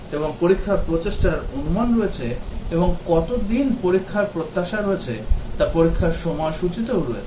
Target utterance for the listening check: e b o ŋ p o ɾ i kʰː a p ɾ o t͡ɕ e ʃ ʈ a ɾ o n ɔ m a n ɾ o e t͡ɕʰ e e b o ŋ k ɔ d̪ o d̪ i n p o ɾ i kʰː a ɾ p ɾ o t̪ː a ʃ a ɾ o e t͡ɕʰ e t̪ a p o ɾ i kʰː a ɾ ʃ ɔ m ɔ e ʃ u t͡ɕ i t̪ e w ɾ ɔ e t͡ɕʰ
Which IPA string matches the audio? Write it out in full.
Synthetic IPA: e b o ŋ p o ɾ i kʰː a p ɾ o t͡ɕ e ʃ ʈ a ɾ o n u m a n ɾ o e t͡ɕʰ e e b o ŋ k ɔ t̪ o d̪ i n p o ɾ i kʰː a ɾ p ɾ o t̪ː a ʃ a ɾ o e t͡ɕʰ e t̪ a p o ɾ i kʰː a ɾ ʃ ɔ m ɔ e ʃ u t͡ɕ i t̪ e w ɾ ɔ e t͡ɕʰ

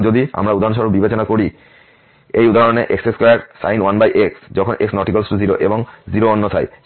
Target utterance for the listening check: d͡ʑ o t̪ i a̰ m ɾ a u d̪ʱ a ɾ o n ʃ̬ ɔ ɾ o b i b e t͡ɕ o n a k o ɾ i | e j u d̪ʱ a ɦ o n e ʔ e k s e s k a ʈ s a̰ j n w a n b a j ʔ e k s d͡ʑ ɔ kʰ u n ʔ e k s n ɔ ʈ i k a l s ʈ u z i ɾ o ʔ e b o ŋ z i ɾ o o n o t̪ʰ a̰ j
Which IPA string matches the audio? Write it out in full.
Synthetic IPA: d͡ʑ o d̪ i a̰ m ɾ a u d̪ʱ a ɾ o n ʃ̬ ɔ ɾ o b i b e t͡ɕ o n a k o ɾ i | e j u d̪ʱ a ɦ o n e ʔ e k s e s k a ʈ s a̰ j n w a n b a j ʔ e k s d͡ʑ ɔ kʰ o n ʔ e k s n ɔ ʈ i k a l s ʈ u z i ɾ o ʔ e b o ŋ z i ɾ o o nː o t̪ʰ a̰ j

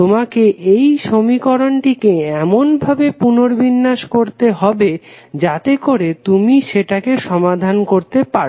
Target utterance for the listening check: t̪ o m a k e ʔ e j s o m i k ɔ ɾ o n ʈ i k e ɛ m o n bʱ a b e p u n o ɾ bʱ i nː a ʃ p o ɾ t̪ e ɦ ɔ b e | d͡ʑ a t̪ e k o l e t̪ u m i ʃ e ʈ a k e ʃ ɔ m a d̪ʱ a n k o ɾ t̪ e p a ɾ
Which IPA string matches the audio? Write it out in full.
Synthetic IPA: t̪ o m a k e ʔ e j ʃ o m i k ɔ ɾ o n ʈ i k e ɛ m o n bʱ a b e p u n o ɾ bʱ i nː a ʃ k o ɾ t̪ e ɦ ɔ b e | d͡ʑ a t̪ e k o ɾ e t̪ u m i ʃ e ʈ a k e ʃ ɔ m a d̪ʱ a n k o ɾ t̪ e p a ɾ

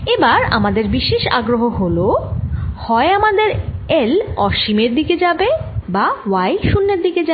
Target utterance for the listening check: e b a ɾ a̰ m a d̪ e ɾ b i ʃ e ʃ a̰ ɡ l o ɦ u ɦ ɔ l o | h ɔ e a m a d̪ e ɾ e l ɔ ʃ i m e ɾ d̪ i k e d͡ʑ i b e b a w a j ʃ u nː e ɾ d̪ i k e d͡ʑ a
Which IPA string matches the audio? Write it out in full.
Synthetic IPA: e b a ɾ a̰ m a d̪ e ɾ b i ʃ e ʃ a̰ ɡ ɾ o ɦ o ɦ o l o | h ɔ e a m a d̪ e ɾ e l ɔ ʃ i m e ɾ d̪ i k e d͡ʑ a b e b a w a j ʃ u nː e ɾ d̪ i k e d͡ʑ a

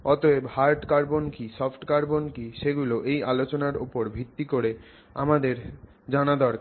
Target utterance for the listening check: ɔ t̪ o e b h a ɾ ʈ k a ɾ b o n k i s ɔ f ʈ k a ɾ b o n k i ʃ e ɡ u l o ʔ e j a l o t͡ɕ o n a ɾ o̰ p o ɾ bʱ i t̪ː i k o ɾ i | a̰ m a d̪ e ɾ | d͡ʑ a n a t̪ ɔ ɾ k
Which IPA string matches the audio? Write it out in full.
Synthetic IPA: ɔ t̪ o e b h a ɾ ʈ k a ɾ b o n k i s ɔ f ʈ k a ɾ b o n k i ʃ e ɡ u l o ʔ e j a l o t͡ɕ o n a ɾ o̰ p o ɾ bʱ i t̪ː i k o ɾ e | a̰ m a d̪ e ɾ | d͡ʑ a n a d̪ ɔ ɾ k

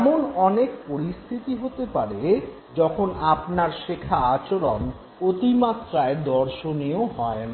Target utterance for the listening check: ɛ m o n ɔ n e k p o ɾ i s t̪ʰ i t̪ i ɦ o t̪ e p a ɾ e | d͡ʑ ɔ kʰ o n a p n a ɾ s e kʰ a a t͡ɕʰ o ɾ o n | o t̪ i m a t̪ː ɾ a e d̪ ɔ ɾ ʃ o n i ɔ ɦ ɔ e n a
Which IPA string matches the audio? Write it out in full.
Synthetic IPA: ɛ m o n ɔ n e k p o ɾ i s t̪ʰ i t̪ i ɦ o t̪ e p a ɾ e | d͡ʑ ɔ kʰ o n a p n a ɾ ʃ e kʰ a a t͡ɕ o ɾ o n | o t̪ i m a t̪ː ɾ a e d̪ ɔ ɾ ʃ o n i o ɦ ɔ e n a

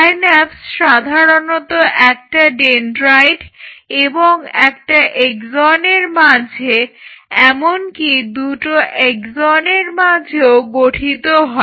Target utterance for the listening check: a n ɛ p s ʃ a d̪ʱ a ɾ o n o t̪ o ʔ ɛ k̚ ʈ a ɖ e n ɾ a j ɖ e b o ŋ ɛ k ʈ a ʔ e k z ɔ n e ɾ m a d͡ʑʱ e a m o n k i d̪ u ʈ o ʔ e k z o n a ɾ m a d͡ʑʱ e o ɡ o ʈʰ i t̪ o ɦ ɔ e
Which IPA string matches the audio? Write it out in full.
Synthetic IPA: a n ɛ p s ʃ a d̪ʱ a ɾ o n o t̪ o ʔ ɛ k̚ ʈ a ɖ e n ɾ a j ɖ e b o ŋ ɛ k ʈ a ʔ e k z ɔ n e ɾ m a d͡ʑʱ e ɛ m o n k i d̪ u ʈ o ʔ e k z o n e ɾ m a d͡ʑʱ e o ɡ o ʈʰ i t̪ o ɦ ɔ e

